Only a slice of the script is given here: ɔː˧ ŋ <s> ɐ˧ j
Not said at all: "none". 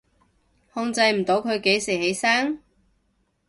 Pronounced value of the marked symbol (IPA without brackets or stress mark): t͡s